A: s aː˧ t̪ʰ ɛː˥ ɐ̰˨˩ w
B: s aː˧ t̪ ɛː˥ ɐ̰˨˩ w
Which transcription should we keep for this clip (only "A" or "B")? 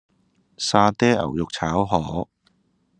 B